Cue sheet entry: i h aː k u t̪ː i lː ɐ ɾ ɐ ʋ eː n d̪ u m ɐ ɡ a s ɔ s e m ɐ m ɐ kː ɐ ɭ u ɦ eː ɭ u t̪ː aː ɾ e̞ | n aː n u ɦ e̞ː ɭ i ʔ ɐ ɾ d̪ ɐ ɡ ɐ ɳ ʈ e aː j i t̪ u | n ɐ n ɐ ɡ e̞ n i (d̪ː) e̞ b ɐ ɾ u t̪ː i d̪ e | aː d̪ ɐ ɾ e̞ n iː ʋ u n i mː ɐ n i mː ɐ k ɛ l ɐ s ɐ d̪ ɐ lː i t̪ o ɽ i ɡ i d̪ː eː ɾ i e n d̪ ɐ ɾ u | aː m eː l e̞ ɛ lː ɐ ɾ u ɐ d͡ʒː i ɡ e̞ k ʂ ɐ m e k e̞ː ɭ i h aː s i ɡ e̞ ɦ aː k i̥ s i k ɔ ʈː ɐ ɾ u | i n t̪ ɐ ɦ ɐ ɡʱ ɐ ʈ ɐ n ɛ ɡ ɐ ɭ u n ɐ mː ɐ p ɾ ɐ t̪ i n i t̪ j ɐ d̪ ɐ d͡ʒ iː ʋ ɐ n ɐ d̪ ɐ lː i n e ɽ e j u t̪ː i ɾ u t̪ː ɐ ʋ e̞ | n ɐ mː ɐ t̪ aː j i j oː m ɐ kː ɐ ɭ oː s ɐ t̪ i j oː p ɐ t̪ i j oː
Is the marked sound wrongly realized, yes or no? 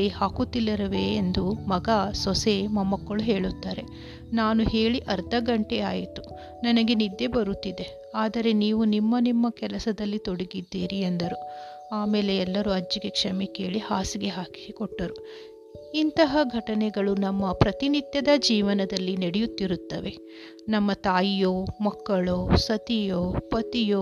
no